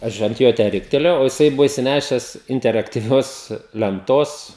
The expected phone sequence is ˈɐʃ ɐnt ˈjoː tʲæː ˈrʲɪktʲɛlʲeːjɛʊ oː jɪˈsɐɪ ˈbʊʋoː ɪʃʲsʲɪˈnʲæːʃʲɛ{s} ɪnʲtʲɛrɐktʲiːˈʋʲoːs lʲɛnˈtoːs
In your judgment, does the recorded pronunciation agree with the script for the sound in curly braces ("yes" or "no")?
yes